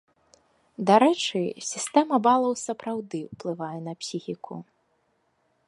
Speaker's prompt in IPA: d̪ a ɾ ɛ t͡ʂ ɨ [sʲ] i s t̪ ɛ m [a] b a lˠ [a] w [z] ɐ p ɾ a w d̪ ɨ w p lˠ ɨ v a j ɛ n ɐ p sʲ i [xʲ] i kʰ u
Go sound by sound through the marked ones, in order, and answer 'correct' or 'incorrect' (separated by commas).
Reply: correct, incorrect, incorrect, incorrect, correct